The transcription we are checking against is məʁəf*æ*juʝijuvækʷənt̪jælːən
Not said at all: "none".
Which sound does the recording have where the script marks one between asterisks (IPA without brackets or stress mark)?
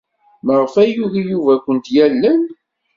æ